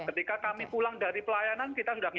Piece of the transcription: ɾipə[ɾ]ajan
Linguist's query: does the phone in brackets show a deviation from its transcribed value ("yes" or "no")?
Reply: yes